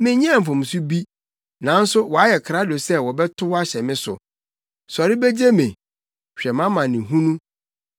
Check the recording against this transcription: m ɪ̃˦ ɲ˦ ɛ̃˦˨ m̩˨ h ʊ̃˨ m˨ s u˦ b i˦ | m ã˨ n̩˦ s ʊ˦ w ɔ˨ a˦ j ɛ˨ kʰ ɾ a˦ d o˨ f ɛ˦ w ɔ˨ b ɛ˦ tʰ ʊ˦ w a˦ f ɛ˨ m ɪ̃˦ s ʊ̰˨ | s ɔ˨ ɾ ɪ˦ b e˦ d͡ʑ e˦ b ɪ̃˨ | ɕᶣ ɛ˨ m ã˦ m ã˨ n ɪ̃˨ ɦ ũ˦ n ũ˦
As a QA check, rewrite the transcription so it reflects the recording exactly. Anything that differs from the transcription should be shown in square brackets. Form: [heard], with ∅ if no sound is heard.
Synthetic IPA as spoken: m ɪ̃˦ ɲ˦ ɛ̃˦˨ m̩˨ [f] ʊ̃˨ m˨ s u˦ b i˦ | [n] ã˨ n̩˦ s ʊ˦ w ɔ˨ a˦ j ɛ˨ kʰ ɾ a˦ d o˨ [s] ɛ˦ w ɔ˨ b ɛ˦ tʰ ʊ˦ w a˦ [ɕ] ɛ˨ m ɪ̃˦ s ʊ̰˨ | s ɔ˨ ɾ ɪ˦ b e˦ d͡ʑ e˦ [m] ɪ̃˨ | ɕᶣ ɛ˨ m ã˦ m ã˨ n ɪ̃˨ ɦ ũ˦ n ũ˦

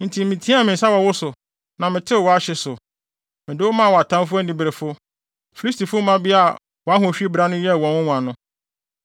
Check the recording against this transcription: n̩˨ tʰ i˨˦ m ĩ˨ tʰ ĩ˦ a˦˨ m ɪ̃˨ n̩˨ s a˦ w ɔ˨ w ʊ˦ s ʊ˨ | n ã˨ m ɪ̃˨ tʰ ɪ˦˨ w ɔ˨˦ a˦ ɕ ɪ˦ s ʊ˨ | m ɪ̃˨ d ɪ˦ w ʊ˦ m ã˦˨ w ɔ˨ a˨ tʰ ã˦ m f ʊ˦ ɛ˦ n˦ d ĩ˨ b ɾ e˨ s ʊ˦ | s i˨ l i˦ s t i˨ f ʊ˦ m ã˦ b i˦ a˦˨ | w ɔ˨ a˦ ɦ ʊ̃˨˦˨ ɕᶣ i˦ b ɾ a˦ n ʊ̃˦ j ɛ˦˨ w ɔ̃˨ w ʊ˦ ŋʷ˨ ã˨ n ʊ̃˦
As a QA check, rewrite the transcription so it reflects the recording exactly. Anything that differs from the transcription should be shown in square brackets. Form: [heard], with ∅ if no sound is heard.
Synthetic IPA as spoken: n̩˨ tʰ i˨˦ m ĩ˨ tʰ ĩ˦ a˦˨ m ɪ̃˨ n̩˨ s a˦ w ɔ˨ w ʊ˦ s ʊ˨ | n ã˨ m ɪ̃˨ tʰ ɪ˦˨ w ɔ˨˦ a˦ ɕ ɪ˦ s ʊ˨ | m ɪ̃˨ d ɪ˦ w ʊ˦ m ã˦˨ w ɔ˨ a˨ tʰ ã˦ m f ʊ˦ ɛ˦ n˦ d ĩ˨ b ɾ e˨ [f] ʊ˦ | [f] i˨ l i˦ s t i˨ f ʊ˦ m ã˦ b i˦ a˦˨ | w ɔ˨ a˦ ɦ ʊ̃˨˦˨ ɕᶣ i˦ b ɾ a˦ n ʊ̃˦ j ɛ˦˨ w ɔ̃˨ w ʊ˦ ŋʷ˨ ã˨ n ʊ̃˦

